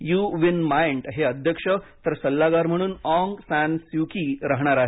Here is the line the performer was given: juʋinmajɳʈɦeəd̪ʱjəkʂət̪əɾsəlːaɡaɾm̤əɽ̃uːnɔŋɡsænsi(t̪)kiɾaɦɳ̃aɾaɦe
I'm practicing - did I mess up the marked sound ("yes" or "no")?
yes